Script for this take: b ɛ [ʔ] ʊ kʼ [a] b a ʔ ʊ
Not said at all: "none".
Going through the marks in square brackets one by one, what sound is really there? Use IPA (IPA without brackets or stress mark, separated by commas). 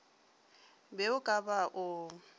none, a